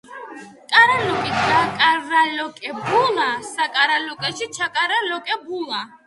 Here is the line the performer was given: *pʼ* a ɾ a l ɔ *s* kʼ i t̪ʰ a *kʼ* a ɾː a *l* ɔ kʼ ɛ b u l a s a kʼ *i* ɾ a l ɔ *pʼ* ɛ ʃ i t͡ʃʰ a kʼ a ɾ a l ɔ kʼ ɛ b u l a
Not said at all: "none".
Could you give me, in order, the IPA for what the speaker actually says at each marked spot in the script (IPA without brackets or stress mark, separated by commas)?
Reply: kʼ, none, kʼ, l, a, kʼ